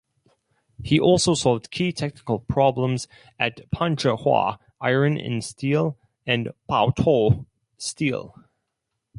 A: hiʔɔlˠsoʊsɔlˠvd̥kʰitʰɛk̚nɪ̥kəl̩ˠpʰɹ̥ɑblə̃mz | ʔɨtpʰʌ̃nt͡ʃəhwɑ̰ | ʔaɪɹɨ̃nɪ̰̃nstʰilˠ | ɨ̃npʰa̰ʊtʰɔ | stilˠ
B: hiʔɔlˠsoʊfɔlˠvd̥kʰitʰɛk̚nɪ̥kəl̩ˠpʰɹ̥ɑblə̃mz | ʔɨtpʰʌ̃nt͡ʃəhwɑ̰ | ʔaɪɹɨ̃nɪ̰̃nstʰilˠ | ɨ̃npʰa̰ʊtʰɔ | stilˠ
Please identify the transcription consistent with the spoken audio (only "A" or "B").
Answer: A